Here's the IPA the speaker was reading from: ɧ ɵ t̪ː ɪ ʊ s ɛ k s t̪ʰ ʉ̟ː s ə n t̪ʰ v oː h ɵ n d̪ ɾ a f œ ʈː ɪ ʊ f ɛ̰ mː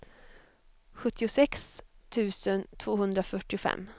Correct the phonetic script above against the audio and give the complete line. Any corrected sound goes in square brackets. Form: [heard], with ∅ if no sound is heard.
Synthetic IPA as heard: ɧ ɵ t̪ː ɪ ʊ s ɛ k s t̪ʰ ʉ̟ː s ə n t̪ʰ v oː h ɵ n d̪ ɾ a f œ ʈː ɪ ʊ f ɛ̰ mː